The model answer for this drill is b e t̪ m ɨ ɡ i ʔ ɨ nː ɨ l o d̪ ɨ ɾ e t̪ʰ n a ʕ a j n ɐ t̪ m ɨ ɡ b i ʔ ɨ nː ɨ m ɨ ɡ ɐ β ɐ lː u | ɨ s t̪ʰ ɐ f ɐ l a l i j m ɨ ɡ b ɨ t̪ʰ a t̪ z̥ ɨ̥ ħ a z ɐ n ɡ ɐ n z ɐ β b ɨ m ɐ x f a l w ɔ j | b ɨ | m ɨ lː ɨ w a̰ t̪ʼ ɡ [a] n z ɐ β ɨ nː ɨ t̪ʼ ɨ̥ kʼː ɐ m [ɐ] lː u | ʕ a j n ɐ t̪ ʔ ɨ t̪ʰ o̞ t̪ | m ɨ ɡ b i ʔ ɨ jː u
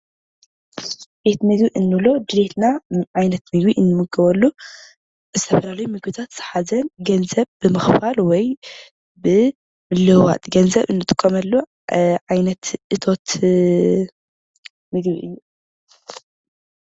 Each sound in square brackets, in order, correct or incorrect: incorrect: ɐ, correct

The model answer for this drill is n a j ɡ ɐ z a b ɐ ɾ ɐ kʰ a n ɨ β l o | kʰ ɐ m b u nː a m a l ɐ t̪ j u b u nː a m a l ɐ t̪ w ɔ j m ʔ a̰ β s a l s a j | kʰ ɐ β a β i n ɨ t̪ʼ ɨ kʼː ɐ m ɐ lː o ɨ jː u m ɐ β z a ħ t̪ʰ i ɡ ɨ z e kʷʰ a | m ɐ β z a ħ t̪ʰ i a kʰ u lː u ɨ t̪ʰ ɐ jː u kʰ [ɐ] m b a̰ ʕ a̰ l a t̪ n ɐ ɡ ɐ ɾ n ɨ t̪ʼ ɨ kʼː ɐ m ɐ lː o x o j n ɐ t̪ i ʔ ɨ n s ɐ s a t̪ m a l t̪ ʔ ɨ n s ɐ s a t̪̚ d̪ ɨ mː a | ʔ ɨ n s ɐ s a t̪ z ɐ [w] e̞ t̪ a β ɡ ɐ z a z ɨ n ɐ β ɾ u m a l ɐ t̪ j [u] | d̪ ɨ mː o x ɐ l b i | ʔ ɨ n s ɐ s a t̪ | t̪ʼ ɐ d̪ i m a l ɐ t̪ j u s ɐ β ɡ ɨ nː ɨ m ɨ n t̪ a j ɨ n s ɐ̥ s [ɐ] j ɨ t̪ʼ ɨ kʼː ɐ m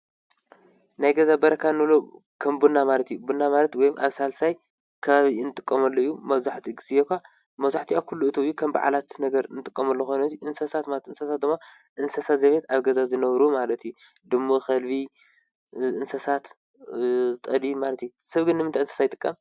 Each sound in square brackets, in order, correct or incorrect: correct, incorrect: β, correct, incorrect: a

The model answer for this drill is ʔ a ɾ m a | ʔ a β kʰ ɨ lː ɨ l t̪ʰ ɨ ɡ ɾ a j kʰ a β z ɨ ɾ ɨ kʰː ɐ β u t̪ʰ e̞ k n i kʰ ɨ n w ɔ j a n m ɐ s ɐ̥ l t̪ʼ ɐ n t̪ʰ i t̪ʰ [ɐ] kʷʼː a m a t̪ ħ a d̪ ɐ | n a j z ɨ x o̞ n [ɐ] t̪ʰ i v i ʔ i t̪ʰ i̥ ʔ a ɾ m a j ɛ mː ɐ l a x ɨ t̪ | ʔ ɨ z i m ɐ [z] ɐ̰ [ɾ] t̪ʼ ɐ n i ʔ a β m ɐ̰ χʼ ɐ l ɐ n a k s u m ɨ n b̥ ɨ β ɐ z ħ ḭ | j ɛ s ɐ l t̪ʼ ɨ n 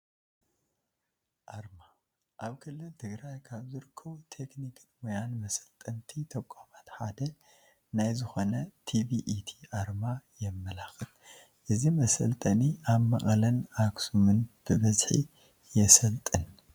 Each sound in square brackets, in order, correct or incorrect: correct, correct, incorrect: s, incorrect: l

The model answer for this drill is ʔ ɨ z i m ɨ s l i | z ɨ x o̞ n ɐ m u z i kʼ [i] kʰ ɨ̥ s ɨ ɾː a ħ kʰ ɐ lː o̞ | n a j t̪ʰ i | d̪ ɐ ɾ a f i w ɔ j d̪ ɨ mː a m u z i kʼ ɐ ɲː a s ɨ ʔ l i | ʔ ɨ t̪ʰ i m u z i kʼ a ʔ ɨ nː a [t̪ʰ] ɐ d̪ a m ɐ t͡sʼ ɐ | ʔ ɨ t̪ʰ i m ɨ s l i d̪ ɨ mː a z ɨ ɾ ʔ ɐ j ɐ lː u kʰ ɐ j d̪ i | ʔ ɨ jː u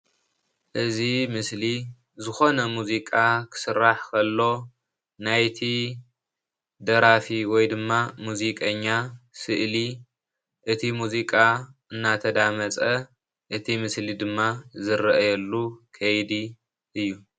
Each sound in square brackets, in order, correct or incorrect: incorrect: a, correct

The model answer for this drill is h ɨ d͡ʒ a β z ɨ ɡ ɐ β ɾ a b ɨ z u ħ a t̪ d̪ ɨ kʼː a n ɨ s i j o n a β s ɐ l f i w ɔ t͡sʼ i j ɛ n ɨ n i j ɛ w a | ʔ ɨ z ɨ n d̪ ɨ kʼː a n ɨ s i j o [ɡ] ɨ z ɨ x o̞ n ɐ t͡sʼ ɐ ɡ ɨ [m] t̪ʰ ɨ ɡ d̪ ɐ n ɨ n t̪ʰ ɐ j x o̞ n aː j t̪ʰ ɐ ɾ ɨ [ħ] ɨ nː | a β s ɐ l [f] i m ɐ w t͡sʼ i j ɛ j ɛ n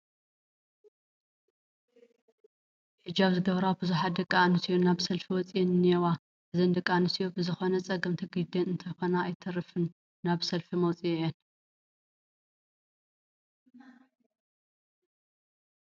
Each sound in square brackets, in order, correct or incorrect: incorrect: b, correct, incorrect: f, correct

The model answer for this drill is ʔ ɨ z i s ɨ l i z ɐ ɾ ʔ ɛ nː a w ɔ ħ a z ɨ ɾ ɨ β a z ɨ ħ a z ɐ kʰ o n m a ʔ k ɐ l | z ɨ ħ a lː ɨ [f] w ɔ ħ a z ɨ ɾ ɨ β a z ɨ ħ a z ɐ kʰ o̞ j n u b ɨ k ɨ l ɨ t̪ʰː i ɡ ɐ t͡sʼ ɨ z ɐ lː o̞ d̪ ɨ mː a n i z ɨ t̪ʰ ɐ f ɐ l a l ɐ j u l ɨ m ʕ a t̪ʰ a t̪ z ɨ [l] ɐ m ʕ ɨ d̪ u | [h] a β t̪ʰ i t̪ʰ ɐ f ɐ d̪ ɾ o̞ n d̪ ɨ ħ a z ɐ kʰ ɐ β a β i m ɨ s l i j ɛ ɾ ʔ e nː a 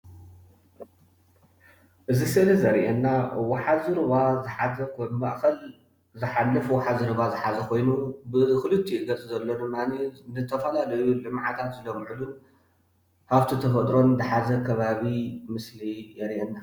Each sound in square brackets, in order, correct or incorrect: correct, correct, correct

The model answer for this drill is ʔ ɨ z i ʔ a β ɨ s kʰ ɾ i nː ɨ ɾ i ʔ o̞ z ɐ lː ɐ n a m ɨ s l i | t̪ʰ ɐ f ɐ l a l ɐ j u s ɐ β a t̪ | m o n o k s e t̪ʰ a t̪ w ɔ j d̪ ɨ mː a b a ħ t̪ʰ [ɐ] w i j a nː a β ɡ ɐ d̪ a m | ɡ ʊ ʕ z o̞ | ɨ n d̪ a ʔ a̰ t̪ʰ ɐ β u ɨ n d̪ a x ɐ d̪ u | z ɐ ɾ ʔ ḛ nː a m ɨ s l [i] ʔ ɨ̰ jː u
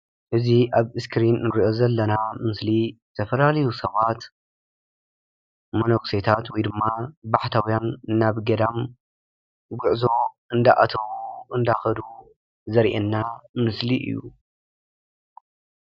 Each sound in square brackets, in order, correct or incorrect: incorrect: a, correct

